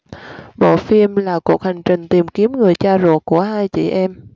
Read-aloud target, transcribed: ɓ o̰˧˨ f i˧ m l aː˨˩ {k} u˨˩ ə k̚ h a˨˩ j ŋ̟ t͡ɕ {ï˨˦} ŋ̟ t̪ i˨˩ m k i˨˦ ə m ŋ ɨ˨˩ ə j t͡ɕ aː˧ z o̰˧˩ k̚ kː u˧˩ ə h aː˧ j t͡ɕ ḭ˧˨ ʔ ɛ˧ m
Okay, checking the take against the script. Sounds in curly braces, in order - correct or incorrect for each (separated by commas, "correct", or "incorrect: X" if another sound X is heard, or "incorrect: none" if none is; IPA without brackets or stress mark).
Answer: correct, incorrect: ï˨˩